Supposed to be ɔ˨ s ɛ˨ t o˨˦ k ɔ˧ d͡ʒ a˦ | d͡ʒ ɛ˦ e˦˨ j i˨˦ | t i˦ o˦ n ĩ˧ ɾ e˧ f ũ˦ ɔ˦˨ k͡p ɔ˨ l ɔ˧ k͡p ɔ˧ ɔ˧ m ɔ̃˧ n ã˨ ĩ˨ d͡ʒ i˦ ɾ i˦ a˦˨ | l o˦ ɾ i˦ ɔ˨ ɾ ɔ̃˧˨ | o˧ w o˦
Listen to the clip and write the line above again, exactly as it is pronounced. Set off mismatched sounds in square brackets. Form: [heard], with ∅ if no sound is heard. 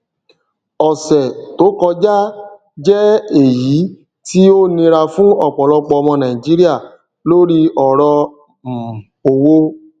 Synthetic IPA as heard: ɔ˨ s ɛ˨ t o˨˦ k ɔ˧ d͡ʒ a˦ | d͡ʒ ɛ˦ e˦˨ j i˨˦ | t i˦ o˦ n ĩ˧ ɾ [a˧] f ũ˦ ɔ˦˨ k͡p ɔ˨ l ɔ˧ k͡p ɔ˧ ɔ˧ m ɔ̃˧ n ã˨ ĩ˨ d͡ʒ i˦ ɾ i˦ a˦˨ | l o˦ ɾ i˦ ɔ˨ ɾ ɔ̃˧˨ | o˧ w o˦